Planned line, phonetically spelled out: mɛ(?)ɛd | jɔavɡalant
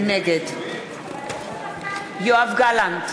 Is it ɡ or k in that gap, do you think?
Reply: ɡ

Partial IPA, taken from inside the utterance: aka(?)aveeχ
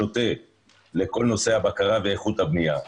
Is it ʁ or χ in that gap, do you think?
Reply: ʁ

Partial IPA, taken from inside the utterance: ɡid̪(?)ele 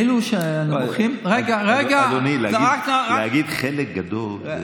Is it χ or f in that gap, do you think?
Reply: χ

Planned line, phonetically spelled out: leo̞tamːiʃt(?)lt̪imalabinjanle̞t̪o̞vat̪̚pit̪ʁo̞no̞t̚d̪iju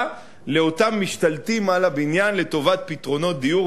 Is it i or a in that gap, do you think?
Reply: a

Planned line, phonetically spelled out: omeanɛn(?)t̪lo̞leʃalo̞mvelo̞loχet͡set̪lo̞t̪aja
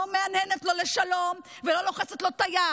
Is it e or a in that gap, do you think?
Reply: e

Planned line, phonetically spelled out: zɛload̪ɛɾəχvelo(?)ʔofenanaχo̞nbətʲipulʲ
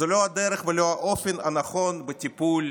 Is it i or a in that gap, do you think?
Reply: a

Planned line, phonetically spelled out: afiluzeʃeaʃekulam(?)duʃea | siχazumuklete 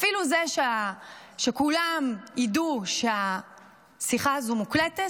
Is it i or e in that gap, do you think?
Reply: i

